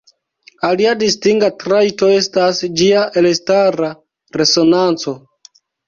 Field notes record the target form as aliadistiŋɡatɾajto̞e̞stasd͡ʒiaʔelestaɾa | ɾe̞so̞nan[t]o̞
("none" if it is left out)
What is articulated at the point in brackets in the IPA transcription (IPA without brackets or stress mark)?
t͡s